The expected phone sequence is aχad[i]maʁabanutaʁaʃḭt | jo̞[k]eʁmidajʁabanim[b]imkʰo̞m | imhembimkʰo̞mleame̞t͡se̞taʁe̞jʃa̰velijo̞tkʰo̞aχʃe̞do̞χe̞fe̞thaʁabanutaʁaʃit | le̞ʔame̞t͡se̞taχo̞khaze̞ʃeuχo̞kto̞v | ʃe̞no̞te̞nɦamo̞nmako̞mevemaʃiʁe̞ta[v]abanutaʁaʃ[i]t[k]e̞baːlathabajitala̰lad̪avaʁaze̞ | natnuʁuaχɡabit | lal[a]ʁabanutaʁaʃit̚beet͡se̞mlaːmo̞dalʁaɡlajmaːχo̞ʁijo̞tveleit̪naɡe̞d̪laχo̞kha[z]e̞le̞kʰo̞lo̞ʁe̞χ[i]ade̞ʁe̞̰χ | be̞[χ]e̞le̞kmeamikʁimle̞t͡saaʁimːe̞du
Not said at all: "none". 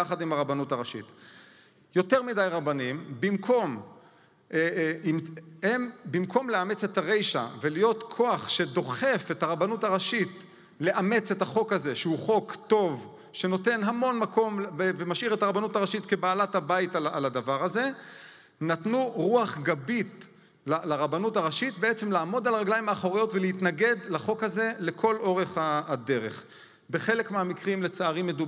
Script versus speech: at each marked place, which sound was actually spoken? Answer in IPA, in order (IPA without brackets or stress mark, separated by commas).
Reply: i, t, b, ʁ, i, k, a, z, a, χ